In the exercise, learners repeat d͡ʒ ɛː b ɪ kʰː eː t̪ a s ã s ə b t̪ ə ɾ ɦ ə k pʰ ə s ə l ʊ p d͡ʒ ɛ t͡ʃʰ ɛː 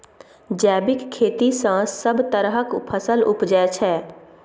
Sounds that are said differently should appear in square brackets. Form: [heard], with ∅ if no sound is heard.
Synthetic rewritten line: d͡ʒ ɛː b ɪ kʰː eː t̪ [i] s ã s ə b t̪ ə ɾ ɦ ə k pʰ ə s ə l ʊ p d͡ʒ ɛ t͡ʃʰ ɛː